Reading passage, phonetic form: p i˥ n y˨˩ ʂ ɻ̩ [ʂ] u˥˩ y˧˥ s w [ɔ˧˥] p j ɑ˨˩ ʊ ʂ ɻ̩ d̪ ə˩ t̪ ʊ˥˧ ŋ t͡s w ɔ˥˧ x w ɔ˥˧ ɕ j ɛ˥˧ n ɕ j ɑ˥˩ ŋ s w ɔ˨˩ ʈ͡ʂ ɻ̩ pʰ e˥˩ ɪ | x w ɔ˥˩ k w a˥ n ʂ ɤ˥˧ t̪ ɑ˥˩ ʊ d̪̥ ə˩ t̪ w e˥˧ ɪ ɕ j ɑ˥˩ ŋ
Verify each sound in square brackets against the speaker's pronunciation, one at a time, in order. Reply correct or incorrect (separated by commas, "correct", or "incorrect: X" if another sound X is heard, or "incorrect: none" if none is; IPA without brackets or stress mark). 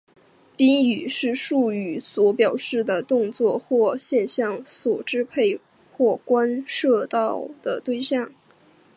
correct, correct